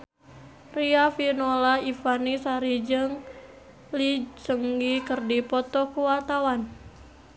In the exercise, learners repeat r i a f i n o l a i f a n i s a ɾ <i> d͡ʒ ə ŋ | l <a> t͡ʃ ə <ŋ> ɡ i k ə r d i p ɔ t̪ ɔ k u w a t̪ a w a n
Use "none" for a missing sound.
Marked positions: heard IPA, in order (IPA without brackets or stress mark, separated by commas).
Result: i, i, ŋ